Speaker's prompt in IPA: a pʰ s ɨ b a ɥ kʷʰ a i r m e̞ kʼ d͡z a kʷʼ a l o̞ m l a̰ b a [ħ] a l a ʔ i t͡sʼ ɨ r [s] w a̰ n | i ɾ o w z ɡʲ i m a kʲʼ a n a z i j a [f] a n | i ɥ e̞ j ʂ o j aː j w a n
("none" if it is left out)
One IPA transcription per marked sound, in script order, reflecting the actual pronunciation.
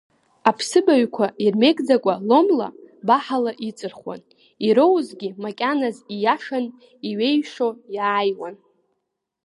ħ, χ, ʂ

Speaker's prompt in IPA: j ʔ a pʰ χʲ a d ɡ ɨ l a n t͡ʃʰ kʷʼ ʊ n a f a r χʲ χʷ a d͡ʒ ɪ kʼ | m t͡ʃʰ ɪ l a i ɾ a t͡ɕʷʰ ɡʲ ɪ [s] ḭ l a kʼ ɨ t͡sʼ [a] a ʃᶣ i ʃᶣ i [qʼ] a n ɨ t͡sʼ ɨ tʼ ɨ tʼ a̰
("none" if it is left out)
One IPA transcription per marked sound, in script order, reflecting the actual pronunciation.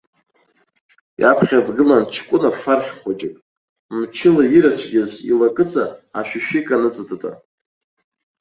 z, a, kʼ

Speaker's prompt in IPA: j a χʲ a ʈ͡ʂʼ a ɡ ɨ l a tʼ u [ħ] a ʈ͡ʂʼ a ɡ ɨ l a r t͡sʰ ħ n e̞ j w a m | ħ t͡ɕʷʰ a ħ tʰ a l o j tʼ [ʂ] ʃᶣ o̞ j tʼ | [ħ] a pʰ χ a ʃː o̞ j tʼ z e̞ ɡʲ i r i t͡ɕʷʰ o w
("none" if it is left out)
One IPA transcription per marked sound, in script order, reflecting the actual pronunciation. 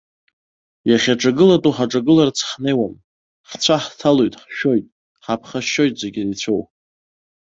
ħ, ħ, ħ

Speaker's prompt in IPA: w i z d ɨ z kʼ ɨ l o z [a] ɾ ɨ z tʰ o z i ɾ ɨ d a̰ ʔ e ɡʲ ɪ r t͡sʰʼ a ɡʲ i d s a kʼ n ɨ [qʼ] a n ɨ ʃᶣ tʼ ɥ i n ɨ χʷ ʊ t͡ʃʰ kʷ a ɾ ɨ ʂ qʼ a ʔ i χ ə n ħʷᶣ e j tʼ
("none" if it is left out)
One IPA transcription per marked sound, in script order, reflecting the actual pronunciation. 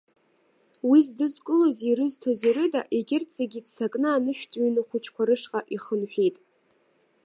i, none

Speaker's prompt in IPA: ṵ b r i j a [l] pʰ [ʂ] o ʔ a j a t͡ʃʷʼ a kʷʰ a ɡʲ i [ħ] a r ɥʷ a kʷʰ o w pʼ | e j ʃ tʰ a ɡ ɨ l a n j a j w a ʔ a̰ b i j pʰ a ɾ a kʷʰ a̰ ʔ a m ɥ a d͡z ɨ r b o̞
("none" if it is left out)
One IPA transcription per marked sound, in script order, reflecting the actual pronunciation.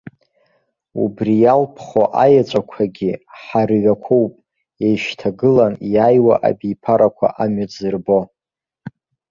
l, χ, ħ

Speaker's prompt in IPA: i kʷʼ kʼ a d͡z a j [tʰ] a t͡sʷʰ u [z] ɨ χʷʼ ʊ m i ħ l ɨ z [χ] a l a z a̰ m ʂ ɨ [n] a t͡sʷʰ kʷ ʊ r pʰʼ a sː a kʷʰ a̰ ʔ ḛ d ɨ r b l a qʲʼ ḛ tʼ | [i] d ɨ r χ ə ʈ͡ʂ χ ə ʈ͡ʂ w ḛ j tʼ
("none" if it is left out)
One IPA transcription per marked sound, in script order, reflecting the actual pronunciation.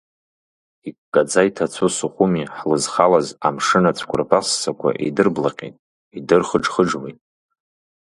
tʰ, s, χ, n, i

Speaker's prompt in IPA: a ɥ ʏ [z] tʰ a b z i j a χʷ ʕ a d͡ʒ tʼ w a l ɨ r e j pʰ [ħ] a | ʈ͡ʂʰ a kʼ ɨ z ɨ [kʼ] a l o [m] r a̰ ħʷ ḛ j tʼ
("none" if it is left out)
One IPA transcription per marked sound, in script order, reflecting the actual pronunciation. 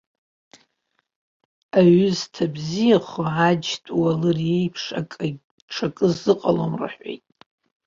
z, ʂ, qʼ, m

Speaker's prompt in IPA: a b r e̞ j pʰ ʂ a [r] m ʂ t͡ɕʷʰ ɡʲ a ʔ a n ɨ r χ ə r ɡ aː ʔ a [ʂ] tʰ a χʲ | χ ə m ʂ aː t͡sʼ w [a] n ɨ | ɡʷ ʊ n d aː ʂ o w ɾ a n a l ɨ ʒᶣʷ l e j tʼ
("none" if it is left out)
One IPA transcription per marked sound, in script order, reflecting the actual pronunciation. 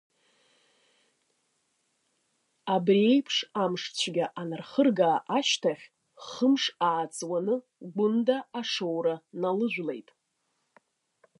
none, ʃ, a

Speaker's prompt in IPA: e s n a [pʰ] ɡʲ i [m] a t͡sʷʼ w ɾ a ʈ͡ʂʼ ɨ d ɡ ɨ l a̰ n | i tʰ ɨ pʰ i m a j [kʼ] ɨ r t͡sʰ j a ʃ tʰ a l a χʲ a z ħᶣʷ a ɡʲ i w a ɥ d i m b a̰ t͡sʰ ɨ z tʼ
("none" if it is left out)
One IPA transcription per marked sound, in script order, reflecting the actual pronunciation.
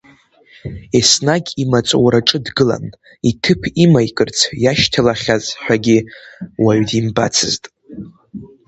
none, m, kʼ

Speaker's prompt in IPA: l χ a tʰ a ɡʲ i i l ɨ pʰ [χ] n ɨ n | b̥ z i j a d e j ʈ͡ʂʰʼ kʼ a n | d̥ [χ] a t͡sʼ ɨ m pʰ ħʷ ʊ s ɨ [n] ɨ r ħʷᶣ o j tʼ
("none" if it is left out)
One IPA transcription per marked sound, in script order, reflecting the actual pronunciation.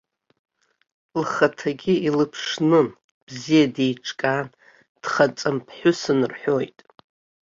ʂ, χ, n

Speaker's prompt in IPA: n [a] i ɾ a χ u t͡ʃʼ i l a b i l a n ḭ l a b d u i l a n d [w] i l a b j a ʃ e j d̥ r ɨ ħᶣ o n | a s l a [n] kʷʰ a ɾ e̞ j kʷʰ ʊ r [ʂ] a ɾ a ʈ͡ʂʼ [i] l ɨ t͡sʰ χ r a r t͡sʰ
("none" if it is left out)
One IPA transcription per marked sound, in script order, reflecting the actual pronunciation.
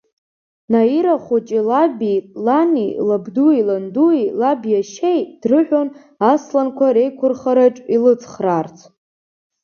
a, u, n, χ, i

